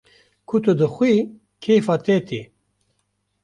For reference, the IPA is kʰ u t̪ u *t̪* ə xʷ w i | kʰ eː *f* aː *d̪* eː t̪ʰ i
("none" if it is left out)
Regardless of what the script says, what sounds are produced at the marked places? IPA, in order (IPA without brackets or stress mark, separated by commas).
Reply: d̪, f, t̪